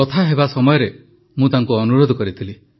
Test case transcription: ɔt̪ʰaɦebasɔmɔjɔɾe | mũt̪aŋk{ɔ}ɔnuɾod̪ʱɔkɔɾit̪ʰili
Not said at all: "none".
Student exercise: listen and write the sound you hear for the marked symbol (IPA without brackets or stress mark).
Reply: u